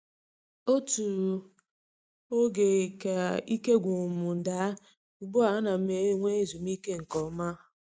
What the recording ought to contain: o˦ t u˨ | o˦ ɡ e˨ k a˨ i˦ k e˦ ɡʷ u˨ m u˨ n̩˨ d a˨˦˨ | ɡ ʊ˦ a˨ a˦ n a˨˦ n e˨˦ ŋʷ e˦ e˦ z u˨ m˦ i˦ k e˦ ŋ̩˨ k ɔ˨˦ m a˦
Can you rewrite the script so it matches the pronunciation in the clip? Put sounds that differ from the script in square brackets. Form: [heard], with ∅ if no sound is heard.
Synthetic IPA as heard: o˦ t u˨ | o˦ ɡ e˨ k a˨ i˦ k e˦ ɡʷ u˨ m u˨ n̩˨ d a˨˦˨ | [ɡ͡b] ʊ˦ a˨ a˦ n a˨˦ [m] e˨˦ ŋʷ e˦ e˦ z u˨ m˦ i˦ k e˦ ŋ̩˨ k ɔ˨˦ m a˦